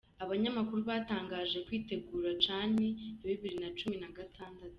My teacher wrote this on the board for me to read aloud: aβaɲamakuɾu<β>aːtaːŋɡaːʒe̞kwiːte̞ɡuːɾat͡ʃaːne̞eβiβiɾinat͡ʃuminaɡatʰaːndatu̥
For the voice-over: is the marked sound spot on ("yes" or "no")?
yes